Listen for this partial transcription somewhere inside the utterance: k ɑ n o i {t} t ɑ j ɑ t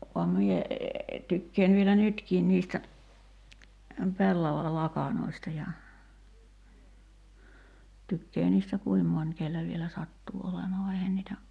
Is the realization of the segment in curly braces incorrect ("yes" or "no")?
yes